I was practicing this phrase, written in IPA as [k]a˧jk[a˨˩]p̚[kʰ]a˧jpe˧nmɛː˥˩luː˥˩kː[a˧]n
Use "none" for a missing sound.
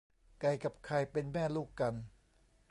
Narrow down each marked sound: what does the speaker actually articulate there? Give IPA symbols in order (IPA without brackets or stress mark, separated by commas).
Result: k, a˨˩, kʰ, a˧